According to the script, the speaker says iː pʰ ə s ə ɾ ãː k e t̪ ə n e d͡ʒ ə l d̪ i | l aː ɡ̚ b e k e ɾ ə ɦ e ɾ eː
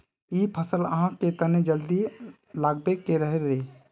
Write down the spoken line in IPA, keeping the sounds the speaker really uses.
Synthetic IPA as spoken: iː pʰ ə s ə l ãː k e t̪ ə n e d͡ʒ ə l d̪ i | l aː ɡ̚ b e k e ɾ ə ɦ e ɾ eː